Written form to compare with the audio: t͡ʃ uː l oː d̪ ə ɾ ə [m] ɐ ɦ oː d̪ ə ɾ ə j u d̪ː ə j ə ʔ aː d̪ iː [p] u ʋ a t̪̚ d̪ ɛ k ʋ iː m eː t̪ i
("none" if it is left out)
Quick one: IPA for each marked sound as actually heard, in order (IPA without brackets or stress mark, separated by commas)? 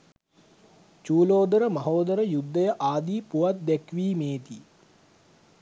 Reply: m, p